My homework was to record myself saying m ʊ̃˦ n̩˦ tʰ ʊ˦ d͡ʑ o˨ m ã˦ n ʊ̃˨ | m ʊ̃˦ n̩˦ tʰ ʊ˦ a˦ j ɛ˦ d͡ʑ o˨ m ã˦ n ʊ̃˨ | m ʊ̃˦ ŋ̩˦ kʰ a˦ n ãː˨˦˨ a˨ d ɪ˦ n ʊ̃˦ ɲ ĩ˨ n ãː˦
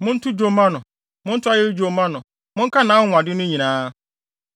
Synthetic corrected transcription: m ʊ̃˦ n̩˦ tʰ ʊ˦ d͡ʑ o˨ m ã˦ n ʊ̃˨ | m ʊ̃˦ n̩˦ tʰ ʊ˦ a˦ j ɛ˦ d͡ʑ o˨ m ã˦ n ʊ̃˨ | m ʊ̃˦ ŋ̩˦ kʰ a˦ n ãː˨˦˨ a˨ d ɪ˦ n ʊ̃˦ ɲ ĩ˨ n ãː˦